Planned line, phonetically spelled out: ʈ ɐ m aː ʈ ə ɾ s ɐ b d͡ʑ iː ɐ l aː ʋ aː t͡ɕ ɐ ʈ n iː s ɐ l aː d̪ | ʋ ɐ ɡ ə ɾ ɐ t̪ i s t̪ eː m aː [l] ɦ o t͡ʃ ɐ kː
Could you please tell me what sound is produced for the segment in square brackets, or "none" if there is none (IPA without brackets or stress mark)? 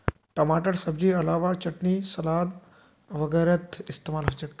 l